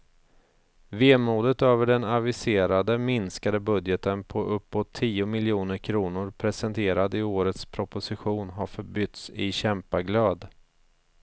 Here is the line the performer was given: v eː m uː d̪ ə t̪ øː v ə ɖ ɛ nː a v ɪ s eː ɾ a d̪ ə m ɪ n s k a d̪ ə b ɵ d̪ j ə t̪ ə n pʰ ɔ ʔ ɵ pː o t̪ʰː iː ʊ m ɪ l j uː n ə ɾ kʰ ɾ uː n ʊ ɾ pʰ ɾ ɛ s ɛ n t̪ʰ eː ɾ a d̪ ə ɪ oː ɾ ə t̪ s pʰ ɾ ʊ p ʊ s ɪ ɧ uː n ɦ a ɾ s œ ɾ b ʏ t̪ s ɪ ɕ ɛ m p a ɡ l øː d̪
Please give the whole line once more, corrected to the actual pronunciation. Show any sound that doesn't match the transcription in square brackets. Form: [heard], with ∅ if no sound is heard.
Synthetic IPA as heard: v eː m uː d̪ ə t̪ øː v ə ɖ ɛ [n] a v ɪ s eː ɾ a d̪ ə m ɪ n s k a d̪ ə b ɵ d̪ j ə t̪ ə n pʰ ɔ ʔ ɵ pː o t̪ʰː iː ʊ m ɪ l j uː n ə ɾ kʰ ɾ uː n ʊ ɾ pʰ ɾ ɛ s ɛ n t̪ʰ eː ɾ a d̪ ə ɪ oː ɾ ə t̪ s pʰ ɾ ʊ p ʊ s ɪ ɧ uː n ɦ a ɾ [f] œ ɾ b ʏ t̪ s ɪ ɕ ɛ m p a ɡ l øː d̪